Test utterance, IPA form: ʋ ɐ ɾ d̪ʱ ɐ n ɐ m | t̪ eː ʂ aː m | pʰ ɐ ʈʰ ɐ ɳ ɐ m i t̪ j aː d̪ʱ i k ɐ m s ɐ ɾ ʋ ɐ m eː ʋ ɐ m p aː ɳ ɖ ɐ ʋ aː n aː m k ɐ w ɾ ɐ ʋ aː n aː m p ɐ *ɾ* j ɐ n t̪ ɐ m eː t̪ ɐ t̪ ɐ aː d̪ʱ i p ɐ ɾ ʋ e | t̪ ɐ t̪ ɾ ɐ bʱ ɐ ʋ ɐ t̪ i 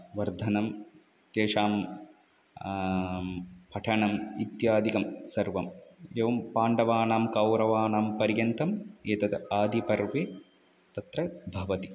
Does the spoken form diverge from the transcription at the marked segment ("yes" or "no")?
no